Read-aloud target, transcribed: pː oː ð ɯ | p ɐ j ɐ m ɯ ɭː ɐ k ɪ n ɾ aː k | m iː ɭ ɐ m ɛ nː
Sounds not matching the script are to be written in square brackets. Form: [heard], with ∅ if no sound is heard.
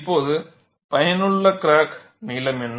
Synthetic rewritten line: pː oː ð ɯ | p ɐ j ɐ [n] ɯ ɭː ɐ k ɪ [∅] ɾ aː k | [n] iː [l] ɐ m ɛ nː